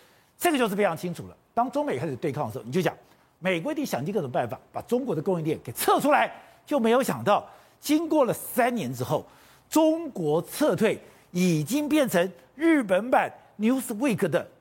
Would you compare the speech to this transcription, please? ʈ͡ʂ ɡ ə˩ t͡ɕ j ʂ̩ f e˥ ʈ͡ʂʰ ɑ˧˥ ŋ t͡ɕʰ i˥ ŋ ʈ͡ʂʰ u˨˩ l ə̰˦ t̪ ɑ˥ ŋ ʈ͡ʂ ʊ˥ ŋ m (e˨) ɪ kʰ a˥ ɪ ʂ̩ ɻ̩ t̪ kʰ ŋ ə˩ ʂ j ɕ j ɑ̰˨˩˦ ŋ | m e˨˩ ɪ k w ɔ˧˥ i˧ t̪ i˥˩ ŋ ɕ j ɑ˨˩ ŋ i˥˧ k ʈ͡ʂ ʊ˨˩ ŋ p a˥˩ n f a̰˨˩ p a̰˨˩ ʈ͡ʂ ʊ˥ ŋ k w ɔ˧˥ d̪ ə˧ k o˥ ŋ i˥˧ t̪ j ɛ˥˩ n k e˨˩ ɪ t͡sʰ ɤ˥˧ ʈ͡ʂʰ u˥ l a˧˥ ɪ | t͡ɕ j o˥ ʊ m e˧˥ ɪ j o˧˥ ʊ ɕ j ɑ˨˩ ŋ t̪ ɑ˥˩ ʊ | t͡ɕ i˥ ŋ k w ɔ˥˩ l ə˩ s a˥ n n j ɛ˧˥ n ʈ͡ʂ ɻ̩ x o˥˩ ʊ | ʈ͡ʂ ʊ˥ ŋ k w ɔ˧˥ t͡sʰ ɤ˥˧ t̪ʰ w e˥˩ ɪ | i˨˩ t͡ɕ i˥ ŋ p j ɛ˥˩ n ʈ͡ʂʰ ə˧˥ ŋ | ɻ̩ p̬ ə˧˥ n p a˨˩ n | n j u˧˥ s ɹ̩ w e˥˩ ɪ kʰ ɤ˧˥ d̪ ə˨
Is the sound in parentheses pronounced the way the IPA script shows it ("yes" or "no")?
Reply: yes